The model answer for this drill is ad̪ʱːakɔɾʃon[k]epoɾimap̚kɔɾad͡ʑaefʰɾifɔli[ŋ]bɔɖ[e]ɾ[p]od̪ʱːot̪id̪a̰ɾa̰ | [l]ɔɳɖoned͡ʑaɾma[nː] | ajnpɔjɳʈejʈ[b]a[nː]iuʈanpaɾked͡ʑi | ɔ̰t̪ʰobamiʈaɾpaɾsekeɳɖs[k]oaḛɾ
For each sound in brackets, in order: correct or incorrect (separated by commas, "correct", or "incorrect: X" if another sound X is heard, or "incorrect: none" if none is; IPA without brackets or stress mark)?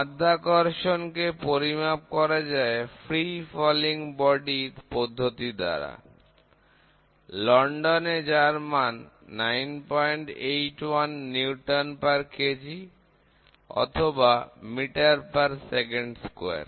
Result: correct, correct, incorrect: i, correct, correct, correct, incorrect: w, correct, correct